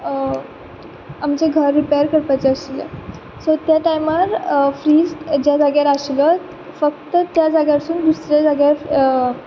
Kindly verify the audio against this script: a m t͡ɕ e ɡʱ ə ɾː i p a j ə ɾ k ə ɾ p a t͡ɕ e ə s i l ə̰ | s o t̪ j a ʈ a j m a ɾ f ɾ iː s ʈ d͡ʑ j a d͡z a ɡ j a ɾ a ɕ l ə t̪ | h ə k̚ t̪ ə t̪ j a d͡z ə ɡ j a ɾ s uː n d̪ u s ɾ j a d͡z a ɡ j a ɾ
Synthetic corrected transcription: a m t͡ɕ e ɡʱ ə ɾː i p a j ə ɾ k ə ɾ p a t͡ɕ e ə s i l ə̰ | s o t̪ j a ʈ a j m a ɾ f ɾ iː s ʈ d͡ʑ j a d͡z a ɡ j a ɾ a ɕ l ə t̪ | f ə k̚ t̪ ə t̪ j a d͡z a ɡ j a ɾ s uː n d̪ u s ɾ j a d͡z a ɡ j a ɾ